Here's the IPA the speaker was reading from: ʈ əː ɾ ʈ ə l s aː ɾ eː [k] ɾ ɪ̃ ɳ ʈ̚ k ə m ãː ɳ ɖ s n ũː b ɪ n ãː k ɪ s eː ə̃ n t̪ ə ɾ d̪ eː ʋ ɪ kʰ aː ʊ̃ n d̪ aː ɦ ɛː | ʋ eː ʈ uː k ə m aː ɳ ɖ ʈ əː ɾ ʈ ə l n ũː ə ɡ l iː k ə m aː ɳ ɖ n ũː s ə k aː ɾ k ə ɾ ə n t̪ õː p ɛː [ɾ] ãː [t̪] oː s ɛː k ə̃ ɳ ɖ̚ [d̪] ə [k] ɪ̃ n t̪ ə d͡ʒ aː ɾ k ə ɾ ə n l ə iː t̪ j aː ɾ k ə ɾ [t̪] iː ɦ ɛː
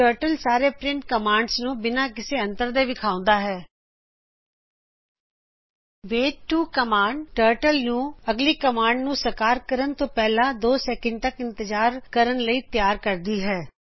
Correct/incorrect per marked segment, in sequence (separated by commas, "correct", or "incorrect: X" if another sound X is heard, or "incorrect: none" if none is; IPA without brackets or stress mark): incorrect: p, incorrect: l, incorrect: d̪, incorrect: t̪, correct, incorrect: d̪